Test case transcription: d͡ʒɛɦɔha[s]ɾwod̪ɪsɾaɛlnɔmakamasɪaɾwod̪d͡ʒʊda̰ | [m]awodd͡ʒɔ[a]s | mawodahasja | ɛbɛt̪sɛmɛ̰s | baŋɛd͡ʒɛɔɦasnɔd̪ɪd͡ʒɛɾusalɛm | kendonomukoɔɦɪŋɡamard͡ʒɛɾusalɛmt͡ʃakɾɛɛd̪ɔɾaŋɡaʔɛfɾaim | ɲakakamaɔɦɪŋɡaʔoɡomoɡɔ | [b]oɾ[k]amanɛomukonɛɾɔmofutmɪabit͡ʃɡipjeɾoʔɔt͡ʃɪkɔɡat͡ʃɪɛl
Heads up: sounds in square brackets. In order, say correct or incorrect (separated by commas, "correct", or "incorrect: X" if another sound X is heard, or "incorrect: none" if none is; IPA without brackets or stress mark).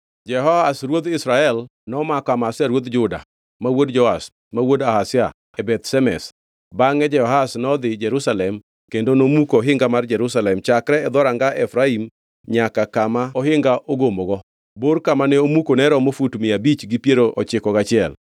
correct, correct, correct, correct, correct